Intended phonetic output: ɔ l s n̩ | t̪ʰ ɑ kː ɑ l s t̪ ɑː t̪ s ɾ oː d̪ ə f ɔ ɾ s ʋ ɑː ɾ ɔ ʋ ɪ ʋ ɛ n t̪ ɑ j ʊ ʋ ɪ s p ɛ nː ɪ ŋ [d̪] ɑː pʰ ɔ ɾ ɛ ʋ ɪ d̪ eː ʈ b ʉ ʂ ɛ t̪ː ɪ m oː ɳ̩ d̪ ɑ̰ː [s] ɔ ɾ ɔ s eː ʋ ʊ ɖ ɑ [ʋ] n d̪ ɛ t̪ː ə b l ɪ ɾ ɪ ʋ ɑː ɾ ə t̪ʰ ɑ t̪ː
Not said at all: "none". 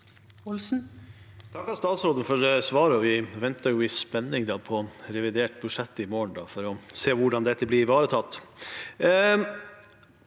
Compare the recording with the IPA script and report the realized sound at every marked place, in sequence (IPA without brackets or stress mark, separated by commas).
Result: d̪, f, none